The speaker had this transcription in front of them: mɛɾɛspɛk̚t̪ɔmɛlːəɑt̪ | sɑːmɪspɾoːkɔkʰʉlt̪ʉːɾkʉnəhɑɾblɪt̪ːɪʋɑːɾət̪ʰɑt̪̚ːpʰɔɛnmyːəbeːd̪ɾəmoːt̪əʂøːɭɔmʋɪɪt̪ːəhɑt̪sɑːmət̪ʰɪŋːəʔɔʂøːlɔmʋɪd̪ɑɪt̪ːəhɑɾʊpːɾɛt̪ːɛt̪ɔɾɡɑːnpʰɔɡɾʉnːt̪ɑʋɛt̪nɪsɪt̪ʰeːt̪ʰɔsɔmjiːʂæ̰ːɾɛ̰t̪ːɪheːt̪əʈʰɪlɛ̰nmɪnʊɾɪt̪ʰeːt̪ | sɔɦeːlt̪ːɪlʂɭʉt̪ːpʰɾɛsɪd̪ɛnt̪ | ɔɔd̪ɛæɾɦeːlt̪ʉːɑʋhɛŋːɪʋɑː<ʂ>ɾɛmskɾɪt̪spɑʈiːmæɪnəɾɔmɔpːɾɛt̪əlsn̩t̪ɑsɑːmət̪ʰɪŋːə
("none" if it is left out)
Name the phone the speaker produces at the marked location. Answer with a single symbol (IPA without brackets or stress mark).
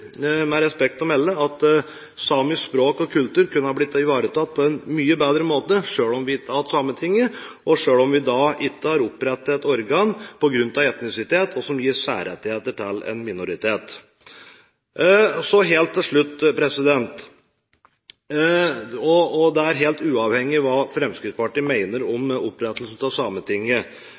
f